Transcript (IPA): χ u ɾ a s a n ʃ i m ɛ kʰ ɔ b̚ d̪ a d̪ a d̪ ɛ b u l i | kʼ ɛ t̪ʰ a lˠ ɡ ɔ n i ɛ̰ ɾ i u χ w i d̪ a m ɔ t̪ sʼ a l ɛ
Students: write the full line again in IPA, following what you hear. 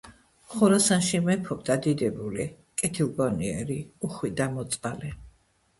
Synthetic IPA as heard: χ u ɾ a s a n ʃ i m ɛ pʰ ɔ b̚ d̪ a d̪ i d̪ ɛ b u l i | kʼ ɛ t̪ʰ i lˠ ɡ ɔ n i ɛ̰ ɾ i u χ w i d̪ a m ɔ t̪ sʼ a l ɛ